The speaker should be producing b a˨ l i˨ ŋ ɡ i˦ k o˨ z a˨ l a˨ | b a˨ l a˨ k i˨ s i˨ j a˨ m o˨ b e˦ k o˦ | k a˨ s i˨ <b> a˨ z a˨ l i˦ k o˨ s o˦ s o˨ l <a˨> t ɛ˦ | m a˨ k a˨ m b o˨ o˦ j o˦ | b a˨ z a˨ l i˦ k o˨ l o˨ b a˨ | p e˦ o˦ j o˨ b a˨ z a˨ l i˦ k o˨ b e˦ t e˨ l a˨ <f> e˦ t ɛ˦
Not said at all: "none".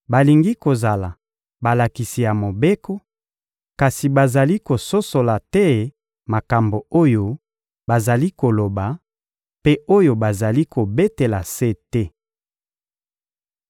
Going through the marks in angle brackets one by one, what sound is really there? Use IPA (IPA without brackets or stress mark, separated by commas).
b, a˨, s